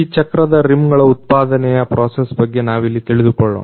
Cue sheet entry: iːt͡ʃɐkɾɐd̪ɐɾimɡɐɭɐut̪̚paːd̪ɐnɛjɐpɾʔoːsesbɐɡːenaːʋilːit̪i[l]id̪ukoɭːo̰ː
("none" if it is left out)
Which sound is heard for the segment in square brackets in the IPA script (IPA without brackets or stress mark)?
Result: ɭ